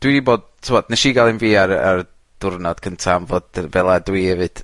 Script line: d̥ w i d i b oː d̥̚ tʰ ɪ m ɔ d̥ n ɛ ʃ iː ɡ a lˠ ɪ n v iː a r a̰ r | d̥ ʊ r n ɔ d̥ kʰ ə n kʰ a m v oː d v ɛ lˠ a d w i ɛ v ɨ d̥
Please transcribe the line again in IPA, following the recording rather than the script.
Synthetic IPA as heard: d̥ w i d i b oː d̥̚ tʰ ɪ m ɔ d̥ n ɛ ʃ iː ɡ a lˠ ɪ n v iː a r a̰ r | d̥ ʊ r n ɔ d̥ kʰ ə n tʰ a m v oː d v ɛ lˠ a d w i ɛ v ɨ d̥